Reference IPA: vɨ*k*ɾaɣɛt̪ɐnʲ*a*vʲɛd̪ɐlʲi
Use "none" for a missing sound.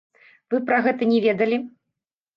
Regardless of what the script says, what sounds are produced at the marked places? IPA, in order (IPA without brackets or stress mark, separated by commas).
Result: p, ɛ